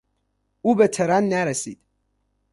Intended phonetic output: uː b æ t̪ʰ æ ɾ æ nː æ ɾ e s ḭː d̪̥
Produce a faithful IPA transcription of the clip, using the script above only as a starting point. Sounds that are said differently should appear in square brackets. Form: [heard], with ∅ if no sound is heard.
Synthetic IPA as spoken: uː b [e] t̪ʰ [e] ɾ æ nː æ ɾ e s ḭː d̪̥